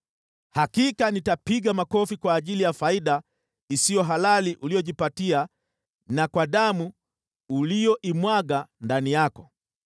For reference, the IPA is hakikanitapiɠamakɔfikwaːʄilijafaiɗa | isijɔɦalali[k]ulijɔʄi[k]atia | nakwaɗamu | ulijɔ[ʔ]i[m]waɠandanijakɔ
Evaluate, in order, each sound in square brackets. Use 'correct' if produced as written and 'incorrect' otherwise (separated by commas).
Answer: incorrect, incorrect, correct, correct